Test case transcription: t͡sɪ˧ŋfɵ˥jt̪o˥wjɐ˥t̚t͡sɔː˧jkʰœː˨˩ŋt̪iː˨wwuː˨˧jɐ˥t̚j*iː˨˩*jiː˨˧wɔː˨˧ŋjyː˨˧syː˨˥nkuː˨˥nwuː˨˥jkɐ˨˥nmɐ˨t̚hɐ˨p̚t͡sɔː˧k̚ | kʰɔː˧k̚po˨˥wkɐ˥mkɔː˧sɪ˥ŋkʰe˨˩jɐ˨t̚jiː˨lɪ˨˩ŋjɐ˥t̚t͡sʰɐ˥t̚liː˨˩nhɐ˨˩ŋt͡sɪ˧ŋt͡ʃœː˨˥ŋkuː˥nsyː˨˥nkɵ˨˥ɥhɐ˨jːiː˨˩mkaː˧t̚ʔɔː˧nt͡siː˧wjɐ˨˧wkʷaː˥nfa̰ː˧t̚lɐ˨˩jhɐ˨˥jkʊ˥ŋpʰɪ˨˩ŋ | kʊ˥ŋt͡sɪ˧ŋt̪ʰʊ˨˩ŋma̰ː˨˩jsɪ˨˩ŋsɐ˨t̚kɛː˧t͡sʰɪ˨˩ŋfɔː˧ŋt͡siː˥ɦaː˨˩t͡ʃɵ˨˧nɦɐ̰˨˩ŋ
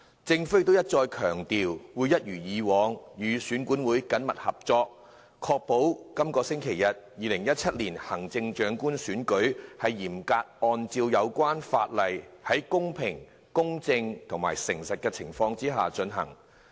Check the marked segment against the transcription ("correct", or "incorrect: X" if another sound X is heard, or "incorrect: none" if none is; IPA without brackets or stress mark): incorrect: yː˨˩